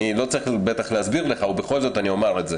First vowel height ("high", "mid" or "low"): high